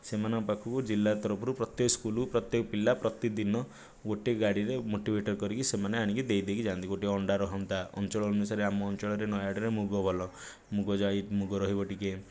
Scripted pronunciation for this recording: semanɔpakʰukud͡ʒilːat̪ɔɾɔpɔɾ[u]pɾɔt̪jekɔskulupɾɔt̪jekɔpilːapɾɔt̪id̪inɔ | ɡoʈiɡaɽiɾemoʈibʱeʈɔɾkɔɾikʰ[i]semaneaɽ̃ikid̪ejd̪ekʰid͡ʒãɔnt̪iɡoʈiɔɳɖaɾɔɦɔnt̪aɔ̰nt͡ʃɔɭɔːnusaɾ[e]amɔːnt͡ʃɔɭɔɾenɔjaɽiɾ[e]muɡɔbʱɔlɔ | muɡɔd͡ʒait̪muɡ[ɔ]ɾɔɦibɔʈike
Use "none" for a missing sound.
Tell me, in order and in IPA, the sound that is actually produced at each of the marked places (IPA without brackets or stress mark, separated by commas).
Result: u, i, e, e, ɔ